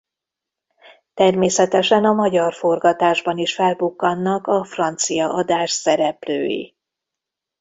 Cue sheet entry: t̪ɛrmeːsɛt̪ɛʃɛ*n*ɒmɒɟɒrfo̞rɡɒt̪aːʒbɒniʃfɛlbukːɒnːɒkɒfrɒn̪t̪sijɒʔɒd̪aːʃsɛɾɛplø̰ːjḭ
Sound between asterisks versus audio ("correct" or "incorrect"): correct